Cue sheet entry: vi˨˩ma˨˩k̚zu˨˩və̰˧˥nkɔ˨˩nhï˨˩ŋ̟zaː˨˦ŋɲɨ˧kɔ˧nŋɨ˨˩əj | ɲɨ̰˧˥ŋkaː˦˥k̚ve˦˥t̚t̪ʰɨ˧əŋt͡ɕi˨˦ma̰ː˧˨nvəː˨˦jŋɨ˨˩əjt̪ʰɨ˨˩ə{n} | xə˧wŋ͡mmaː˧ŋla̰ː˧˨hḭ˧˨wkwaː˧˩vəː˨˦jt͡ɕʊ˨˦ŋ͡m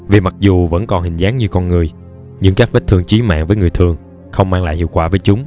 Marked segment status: incorrect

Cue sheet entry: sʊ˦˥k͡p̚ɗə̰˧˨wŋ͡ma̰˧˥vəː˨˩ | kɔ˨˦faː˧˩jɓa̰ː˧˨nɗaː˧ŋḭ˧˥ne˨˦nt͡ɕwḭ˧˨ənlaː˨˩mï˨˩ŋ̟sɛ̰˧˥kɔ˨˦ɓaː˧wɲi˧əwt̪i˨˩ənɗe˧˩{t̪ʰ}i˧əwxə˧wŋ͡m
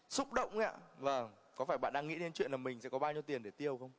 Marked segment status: incorrect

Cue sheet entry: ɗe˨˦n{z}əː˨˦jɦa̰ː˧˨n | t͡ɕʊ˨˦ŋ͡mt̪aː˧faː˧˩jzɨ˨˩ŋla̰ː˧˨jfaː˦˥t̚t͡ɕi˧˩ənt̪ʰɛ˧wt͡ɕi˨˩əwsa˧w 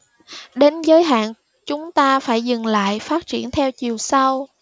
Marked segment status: correct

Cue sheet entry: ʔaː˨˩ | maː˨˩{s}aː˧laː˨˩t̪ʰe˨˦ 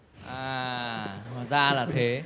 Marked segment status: incorrect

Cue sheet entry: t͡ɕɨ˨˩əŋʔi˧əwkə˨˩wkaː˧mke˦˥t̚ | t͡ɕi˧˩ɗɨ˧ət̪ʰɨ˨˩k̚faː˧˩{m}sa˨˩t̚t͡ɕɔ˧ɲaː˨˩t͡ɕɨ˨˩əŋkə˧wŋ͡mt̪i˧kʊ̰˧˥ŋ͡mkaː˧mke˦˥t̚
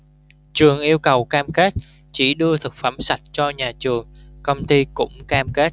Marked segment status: correct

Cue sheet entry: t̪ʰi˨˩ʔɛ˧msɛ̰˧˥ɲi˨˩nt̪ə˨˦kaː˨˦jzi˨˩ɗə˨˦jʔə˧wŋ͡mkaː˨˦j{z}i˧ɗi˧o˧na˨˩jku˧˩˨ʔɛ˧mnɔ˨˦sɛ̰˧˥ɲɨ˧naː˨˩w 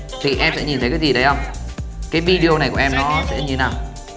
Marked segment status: incorrect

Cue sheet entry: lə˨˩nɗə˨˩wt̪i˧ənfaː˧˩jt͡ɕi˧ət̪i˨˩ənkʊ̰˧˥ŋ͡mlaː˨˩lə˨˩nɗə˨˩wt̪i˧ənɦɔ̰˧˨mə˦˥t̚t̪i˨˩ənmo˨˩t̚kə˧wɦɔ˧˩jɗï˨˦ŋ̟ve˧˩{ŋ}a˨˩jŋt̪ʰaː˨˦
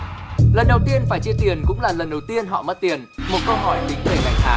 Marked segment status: correct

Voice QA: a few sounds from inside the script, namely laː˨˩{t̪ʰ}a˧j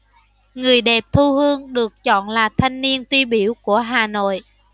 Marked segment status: correct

